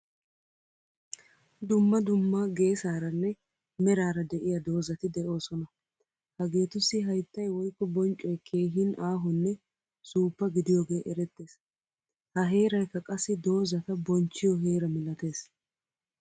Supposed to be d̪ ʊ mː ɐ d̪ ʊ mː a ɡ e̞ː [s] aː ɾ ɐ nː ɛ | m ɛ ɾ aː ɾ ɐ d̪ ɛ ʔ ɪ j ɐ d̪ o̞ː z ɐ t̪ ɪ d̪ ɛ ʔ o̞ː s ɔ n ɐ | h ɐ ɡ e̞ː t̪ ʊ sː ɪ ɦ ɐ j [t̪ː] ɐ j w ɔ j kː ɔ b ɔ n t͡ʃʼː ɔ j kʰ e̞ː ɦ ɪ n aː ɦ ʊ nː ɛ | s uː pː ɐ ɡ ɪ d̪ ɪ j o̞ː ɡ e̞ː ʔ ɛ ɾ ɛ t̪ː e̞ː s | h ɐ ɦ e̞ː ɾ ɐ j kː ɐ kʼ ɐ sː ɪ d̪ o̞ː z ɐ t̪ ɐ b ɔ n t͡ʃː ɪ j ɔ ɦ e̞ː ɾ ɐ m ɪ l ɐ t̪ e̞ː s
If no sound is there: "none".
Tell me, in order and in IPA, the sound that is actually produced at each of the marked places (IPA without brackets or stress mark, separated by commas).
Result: s, t̪ː